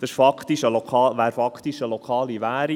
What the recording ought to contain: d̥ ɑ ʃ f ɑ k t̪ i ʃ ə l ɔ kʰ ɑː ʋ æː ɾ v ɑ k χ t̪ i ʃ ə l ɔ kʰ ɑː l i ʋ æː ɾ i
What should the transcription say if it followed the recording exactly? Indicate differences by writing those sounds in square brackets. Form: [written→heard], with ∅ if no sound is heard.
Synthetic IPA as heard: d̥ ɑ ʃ f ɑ k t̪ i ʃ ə l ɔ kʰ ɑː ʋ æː ɾ [v→f] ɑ k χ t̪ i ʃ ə l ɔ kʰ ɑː l i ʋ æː ɾ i